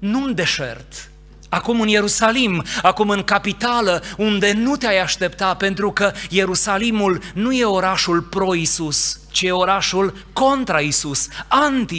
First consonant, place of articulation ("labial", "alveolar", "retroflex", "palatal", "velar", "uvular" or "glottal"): alveolar